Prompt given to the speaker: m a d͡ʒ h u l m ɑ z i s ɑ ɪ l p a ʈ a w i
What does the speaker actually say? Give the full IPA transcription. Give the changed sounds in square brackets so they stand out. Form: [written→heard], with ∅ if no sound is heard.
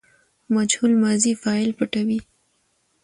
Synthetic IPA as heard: m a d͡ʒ h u l m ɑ z i [s→f] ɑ ɪ l p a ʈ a w i